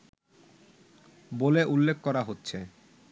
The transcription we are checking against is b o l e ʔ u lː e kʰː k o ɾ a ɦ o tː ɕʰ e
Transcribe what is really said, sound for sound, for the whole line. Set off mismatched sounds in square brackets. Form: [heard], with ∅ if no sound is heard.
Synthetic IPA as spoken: b o l e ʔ u lː e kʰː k [ɔ] ɾ a ɦ o tː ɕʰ e